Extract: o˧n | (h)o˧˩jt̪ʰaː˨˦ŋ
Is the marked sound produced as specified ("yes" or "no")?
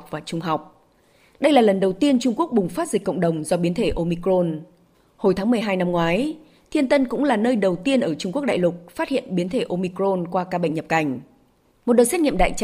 yes